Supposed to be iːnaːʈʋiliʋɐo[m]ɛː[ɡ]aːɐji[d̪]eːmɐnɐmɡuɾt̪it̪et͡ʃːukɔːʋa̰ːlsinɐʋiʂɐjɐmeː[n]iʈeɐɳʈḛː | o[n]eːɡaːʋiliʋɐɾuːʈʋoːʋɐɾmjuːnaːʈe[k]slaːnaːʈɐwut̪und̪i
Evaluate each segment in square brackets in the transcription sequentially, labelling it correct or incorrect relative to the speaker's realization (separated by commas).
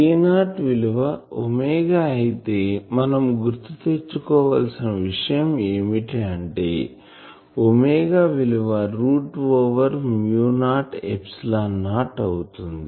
correct, correct, incorrect, incorrect, incorrect, incorrect